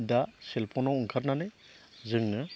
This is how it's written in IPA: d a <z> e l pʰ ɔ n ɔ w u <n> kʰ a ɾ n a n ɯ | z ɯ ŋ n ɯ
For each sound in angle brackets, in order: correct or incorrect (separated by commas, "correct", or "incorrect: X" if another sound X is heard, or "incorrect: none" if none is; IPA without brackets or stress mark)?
incorrect: s, incorrect: ŋ